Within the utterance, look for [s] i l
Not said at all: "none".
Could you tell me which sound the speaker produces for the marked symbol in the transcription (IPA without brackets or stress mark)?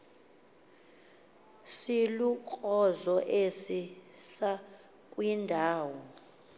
s